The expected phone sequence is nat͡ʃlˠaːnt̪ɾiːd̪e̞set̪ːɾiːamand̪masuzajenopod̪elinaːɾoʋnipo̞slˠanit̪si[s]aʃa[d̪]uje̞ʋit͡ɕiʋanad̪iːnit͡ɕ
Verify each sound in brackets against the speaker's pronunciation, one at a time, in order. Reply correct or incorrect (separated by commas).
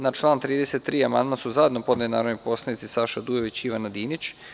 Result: correct, correct